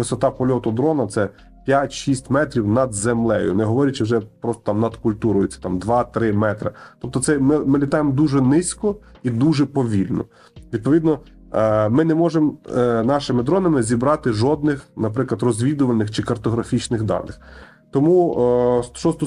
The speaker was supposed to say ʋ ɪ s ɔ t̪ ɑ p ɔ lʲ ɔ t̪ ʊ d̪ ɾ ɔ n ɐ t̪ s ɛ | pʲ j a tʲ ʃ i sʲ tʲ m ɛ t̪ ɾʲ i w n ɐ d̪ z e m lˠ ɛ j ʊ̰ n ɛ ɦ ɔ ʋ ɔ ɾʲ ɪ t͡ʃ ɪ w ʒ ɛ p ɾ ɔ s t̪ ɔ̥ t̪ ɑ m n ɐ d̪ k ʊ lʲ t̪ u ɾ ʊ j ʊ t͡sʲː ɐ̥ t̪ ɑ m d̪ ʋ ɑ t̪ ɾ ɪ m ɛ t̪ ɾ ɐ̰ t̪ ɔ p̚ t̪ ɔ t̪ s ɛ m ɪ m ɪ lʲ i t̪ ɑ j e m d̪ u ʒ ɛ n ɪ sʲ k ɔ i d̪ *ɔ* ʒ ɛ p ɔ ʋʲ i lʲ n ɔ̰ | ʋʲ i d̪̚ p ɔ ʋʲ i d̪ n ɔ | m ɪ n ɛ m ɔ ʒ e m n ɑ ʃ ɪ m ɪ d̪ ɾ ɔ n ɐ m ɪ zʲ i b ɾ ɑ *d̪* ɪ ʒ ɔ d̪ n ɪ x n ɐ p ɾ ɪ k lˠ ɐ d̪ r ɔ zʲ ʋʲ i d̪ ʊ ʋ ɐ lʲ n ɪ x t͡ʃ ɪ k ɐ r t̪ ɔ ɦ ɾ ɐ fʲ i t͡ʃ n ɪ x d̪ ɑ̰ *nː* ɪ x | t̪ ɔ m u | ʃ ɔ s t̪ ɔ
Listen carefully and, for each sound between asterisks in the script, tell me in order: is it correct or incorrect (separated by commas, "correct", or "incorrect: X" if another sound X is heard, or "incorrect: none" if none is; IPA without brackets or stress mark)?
incorrect: u, incorrect: t̪, incorrect: n